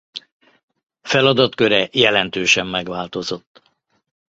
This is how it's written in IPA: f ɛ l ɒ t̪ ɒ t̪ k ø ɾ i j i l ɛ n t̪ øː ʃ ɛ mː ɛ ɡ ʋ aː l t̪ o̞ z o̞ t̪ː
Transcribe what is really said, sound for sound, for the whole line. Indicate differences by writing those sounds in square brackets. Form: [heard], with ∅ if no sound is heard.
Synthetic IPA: f ɛ l ɒ [d̪] ɒ t̪ k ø ɾ [ɛ] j [ɛ] l ɛ n t̪ øː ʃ ɛ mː ɛ ɡ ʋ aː l t̪ o̞ z o̞ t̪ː